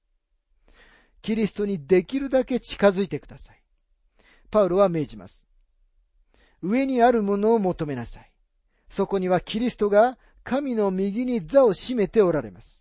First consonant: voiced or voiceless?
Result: voiceless